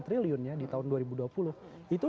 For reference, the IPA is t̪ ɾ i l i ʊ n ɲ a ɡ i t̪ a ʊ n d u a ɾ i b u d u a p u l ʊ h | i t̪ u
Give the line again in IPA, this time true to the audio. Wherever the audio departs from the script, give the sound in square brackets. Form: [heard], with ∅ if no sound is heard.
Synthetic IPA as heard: t̪ ɾ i l i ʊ n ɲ a [d] i t̪ a ʊ n d u a ɾ i b u d u a p u l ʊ h | i t̪ u